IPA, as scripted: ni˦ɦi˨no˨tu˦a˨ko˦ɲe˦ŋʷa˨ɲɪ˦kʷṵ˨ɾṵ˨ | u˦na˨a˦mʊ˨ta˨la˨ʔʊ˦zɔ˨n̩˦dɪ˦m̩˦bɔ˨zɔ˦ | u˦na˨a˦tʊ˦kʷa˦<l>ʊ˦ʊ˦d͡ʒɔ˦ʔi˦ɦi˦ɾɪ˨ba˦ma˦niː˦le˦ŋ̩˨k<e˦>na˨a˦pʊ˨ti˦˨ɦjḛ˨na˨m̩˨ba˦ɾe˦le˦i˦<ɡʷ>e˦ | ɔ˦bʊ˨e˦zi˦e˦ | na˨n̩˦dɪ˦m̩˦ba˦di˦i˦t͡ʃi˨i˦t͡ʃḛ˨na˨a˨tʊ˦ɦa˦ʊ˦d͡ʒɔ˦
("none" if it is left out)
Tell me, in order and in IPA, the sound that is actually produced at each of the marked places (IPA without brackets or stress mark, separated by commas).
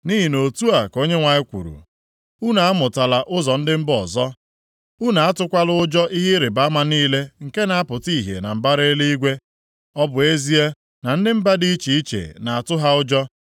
l, e˦, ɡʷ